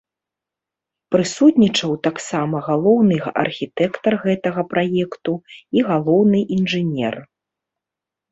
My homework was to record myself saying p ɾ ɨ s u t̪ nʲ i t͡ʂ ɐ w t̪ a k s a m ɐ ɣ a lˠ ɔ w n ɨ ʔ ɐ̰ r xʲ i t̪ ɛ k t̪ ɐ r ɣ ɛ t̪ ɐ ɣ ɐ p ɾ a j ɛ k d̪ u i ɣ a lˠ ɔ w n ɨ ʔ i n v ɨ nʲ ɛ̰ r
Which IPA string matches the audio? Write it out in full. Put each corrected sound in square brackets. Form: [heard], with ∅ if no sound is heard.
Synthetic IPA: p ɾ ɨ s u t̪ nʲ i t͡ʂ ɐ w t̪ a k s a m ɐ ɣ a lˠ ɔ w n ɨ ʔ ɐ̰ r xʲ i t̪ ɛ k t̪ ɐ r ɣ ɛ t̪ ɐ ɣ ɐ p ɾ a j ɛ k [t̪] u i ɣ a lˠ ɔ w n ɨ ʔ i n [ʐ] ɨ nʲ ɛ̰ r